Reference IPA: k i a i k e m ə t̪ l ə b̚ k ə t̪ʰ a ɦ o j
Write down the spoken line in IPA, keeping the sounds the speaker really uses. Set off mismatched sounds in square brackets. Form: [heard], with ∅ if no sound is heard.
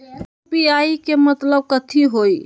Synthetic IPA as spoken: [p] i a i k e m ə t̪ l ə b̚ k ə t̪ʰ [i] ɦ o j